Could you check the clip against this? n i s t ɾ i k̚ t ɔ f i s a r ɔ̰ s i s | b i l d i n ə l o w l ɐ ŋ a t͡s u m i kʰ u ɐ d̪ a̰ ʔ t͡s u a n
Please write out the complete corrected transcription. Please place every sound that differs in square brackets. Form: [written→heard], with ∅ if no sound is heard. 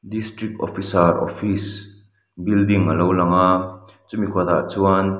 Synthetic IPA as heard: [n→d] i s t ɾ i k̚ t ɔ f i s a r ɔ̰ [s→f] i s | b i l d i [n→ŋ] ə l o w l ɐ ŋ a t͡s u m i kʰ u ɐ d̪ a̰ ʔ t͡s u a n